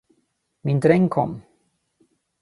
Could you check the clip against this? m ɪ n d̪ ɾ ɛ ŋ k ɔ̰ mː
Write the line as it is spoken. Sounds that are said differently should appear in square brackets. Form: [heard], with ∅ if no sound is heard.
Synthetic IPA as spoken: m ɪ n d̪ ɾ ɛ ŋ [kʰ] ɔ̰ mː

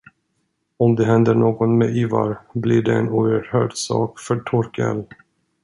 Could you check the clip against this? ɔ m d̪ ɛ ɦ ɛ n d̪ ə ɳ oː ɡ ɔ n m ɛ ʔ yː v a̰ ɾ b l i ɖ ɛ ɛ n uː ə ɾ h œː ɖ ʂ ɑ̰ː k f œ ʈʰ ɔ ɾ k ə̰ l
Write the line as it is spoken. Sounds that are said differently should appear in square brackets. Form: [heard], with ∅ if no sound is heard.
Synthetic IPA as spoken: ɔ m d̪ ɛ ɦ ɛ n d̪ ə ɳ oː ɡ ɔ n m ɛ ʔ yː v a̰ ɾ b l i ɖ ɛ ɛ n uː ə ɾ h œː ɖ [s] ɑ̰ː k f œ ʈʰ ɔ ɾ k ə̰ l

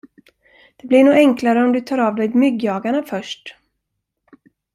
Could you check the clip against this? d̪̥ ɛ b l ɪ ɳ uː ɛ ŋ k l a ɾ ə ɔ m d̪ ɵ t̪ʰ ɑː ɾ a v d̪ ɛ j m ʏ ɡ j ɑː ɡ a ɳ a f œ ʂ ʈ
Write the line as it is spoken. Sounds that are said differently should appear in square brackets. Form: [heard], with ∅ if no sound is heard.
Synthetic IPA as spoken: d̪̥ ɛ b l ɪ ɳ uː ɛ ŋ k l a ɾ ə ɔ m d̪ ɵ t̪ʰ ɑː ɾ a v d̪ ɛ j m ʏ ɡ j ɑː ɡ a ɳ a f œ ʂ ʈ

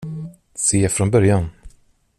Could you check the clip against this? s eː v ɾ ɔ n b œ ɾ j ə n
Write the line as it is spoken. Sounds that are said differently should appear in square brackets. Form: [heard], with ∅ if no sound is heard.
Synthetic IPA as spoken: s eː [f] ɾ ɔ n b œ ɾ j [a] n

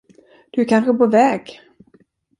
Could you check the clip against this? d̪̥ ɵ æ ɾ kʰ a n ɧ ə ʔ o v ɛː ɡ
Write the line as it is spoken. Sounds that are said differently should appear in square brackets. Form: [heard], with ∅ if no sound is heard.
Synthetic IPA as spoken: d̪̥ ɵ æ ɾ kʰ a n ɧ ə [p] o v ɛː ɡ

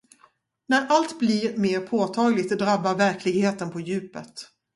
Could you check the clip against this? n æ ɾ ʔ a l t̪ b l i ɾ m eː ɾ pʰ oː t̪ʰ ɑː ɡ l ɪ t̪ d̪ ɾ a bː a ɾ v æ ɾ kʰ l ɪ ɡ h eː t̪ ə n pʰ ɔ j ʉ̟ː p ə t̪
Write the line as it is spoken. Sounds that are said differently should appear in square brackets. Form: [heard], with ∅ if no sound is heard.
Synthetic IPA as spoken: n æ ɾ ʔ a l t̪ b l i ɾ m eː ɾ pʰ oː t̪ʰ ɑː ɡ l ɪ t̪ d̪ ɾ a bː a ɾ v æ ɾ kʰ l ɪ ɡ h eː t̪ ə n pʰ ɔ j ʉ̟ː p ə t̪

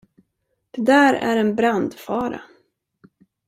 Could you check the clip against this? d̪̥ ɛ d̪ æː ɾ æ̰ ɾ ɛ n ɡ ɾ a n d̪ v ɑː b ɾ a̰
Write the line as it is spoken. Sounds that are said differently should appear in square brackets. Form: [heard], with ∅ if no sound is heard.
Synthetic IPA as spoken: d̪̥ ɛ d̪ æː ɾ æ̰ ɾ ɛ n [b] ɾ a n d̪ [f] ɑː [∅] ɾ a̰

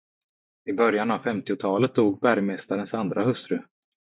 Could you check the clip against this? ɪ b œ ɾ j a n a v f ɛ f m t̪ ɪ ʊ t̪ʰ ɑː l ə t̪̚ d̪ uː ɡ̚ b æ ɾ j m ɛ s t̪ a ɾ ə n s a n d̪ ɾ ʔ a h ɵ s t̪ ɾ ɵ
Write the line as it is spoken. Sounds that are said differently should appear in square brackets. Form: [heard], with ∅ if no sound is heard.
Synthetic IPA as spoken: ɪ b œ ɾ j a n a v f ɛ [∅] m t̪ ɪ ʊ t̪ʰ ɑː l ə t̪̚ d̪ uː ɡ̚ b æ ɾ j m ɛ s t̪ a ɾ ə n s a n d̪ ɾ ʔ a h ɵ s t̪ ɾ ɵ

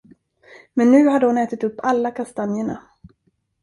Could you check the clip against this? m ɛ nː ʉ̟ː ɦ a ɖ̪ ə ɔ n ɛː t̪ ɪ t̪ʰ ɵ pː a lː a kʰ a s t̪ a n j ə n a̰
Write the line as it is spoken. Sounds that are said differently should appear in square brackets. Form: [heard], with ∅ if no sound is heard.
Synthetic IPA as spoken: m ɛ nː ʉ̟ː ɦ a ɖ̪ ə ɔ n ɛː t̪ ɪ [t̪] ɵ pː a lː a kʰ a s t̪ a n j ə [ɳ] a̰

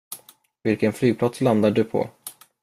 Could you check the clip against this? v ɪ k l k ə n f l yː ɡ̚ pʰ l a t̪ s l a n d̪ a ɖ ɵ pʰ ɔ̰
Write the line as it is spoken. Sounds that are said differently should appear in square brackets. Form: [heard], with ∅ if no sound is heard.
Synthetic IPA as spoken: v ɪ [∅] l k ə n f l yː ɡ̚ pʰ l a t̪ s l a n d̪ a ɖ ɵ pʰ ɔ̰

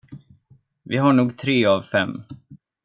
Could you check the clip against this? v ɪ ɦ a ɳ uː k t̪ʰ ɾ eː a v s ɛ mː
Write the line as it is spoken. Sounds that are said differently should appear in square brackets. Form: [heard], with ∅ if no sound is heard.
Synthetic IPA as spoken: v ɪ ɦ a ɳ uː [ɡ] t̪ʰ ɾ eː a v [f] ɛ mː

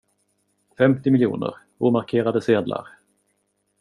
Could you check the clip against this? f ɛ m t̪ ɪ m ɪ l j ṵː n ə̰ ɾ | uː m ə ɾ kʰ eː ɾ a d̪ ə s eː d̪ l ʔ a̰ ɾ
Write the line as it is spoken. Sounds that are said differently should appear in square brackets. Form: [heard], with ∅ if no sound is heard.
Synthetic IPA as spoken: f ɛ m t̪ ɪ m ɪ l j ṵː n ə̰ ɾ | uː m [a] ɾ kʰ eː ɾ a d̪ ə s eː d̪ l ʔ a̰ ɾ

